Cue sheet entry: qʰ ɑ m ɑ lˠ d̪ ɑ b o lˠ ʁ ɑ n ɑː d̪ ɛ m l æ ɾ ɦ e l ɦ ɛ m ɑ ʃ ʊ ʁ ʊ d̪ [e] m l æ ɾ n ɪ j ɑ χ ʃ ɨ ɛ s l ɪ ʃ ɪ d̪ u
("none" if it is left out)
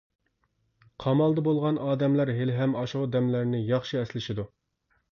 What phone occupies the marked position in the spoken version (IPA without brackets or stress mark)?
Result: ɛ